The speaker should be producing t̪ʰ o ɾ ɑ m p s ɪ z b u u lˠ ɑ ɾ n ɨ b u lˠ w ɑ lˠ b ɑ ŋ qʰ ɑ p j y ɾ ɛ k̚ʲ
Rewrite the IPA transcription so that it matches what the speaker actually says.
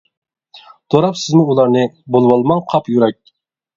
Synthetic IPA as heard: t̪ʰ o ɾ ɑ p s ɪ z m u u lˠ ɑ ɾ n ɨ b o lˠ w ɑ lˠ m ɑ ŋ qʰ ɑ p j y ɾ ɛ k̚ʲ